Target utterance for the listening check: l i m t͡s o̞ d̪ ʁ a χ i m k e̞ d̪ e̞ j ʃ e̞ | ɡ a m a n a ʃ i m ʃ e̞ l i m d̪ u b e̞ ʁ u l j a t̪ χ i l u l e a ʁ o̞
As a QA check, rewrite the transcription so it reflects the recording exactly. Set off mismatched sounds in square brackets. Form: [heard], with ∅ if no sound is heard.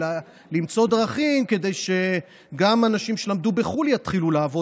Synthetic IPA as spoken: l i m t͡s o̞ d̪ ʁ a χ i m k e̞ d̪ e̞ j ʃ e̞ | ɡ a m a n a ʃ i m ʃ e̞ l [a] m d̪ u b e̞ [χ] u l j a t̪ χ i l u l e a [v] o̞